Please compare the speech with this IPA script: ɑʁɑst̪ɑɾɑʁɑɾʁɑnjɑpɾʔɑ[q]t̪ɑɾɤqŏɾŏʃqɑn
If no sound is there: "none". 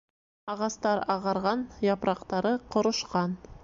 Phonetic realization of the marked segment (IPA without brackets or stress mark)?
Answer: q